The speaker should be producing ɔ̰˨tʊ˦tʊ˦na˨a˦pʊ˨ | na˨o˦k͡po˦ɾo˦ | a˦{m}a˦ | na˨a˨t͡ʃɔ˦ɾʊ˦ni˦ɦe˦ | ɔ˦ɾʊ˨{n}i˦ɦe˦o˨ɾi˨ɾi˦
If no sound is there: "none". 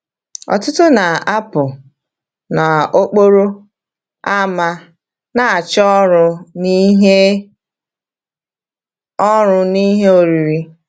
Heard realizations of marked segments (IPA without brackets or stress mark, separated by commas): m, n